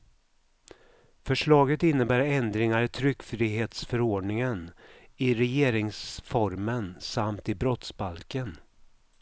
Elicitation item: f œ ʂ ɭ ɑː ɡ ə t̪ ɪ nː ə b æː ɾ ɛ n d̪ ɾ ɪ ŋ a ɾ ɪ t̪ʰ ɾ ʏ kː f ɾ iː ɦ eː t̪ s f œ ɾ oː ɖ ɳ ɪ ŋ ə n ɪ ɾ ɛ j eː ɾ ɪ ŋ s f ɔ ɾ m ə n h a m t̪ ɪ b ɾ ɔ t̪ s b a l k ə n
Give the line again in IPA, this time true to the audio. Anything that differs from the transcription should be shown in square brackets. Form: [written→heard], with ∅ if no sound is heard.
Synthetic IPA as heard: f œ ʂ ɭ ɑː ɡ ə t̪ ɪ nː ə b æː ɾ ɛ n d̪ ɾ ɪ ŋ a ɾ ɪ t̪ʰ ɾ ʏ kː f ɾ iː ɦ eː t̪ s f œ ɾ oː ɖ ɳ ɪ ŋ ə n ɪ ɾ ɛ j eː ɾ ɪ ŋ s f ɔ ɾ m ə n [h→s] a m t̪ ɪ b ɾ ɔ t̪ s b a l k ə n

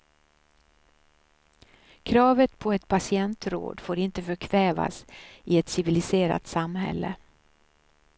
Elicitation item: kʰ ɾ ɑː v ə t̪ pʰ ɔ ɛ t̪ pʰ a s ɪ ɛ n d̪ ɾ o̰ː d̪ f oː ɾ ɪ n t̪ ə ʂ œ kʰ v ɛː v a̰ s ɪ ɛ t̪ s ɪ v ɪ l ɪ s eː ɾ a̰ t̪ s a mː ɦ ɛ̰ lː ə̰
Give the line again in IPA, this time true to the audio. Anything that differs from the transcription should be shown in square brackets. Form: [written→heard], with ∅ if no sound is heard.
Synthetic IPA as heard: kʰ ɾ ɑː v ə t̪ pʰ ɔ ɛ t̪ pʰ a s ɪ ɛ n [d̪→t̪] ɾ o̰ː d̪ f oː ɾ ɪ n t̪ ə [ʂ→f] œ kʰ v ɛː v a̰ s ɪ ɛ t̪ s ɪ v ɪ l ɪ s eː ɾ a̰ t̪ s a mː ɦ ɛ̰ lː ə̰

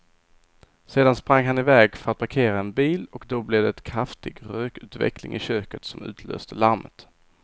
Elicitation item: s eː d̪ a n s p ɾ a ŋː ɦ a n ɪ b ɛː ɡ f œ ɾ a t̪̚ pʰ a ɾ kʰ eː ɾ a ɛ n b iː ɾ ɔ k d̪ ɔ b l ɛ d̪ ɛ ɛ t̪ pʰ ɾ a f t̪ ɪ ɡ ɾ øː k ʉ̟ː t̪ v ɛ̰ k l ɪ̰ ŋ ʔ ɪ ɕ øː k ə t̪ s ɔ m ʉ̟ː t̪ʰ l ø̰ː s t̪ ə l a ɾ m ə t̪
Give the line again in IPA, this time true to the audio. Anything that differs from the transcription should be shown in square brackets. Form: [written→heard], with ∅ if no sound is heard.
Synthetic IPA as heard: s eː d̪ a n s p ɾ a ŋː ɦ a n ɪ [b→v] ɛː ɡ f œ ɾ a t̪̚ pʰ a ɾ kʰ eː ɾ a ɛ n b iː [ɾ→l] ɔ k d̪ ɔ b l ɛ d̪ ɛ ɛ t̪ [pʰ→kʰ] ɾ a f t̪ ɪ ɡ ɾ øː k ʉ̟ː t̪ v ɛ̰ k l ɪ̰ ŋ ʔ ɪ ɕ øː k ə t̪ s ɔ m ʉ̟ː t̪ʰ l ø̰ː s t̪ ə l a ɾ m ə t̪

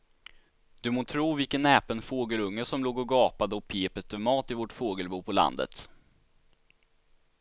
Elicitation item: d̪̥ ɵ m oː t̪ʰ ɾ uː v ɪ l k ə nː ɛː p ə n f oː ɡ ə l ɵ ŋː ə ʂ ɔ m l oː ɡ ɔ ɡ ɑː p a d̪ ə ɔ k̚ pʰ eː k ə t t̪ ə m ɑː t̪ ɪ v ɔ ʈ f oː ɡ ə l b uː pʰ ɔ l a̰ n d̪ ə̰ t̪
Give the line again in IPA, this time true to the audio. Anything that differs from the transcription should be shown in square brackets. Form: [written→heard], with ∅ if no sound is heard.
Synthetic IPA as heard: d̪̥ ɵ m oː t̪ʰ ɾ uː v ɪ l k ə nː ɛː p ə n f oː ɡ ə l ɵ ŋː ə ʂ ɔ m l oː ɡ ɔ ɡ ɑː p a d̪ ə ɔ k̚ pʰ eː [k→p] ə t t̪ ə m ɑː t̪ ɪ v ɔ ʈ f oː ɡ ə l b uː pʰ ɔ l a̰ n d̪ ə̰ t̪

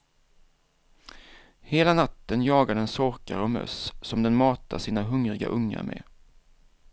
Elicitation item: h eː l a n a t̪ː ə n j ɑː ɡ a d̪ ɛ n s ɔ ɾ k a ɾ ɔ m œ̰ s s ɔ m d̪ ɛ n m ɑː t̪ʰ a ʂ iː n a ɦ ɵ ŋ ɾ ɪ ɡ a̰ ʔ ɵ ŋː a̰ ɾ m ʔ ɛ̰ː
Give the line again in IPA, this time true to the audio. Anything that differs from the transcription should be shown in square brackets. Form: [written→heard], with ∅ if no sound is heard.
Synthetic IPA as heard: h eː l a n a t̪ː ə n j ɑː ɡ a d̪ ɛ n s ɔ ɾ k a ɾ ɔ m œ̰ s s ɔ m d̪ ɛ n m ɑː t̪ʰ a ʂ iː n a ɦ ɵ ŋ ɾ ɪ ɡ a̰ ʔ ɵ ŋː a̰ ɾ m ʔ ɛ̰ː

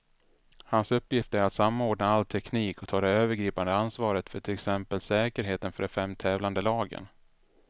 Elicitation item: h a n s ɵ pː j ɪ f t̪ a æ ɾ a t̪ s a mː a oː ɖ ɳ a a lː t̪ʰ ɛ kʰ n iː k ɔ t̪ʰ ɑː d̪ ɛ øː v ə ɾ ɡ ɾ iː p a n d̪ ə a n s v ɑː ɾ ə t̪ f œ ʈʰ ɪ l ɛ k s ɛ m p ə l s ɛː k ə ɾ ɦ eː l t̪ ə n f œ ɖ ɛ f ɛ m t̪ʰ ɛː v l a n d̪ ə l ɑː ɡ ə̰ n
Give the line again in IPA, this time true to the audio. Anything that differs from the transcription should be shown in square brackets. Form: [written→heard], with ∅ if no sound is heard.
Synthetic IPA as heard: h a n s ɵ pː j ɪ f t̪ [a→ə] æ ɾ a t̪ s a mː a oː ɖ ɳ a a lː t̪ʰ ɛ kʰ n iː k ɔ t̪ʰ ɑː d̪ ɛ øː v ə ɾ ɡ ɾ iː p a n d̪ ə a n s v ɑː ɾ ə t̪ f œ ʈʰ ɪ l ɛ k s ɛ m p ə l s ɛː k ə ɾ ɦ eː [l→∅] t̪ ə n f œ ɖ ɛ f ɛ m t̪ʰ ɛː v l a n d̪ ə l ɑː ɡ ə̰ n

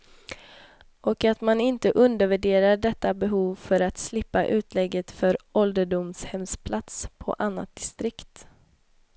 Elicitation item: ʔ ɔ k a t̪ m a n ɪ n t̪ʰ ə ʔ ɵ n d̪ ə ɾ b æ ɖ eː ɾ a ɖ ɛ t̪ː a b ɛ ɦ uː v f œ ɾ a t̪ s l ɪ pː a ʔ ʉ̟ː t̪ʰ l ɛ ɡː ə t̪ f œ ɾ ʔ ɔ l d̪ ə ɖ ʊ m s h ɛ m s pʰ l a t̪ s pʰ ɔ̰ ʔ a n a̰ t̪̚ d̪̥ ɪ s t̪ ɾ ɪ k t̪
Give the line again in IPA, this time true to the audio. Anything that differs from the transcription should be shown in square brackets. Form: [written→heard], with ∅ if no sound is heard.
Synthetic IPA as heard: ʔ ɔ k a t̪ m a n ɪ n [t̪ʰ→t̪] ə ʔ ɵ n d̪ ə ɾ [b→v] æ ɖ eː ɾ a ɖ ɛ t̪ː a b ɛ ɦ uː v f œ ɾ a t̪ s l ɪ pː a ʔ ʉ̟ː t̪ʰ l ɛ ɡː ə t̪ f œ ɾ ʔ ɔ l d̪ ə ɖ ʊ m s h ɛ m s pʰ l a t̪ s pʰ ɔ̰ ʔ a [n→nː] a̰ t̪̚ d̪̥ ɪ s t̪ ɾ ɪ k t̪

